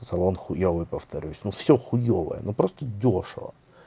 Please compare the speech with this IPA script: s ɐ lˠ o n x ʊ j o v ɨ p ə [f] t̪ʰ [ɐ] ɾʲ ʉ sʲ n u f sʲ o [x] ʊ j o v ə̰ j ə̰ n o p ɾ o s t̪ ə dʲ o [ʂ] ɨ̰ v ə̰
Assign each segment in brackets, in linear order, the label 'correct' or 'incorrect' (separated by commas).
correct, correct, correct, correct